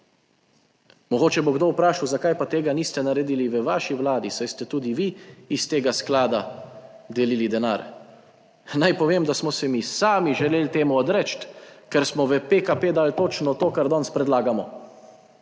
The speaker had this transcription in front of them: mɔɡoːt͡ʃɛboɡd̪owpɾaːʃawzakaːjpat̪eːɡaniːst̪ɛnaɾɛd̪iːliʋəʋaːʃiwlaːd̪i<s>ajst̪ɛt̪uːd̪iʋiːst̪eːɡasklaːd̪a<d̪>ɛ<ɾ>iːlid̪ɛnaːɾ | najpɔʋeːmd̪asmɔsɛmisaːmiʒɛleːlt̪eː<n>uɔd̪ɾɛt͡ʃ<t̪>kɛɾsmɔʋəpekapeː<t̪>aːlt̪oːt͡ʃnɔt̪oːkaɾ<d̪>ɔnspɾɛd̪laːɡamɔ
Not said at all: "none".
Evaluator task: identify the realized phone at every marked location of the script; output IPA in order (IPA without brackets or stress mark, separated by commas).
s, d̪, l, m, t̪, d̪, d̪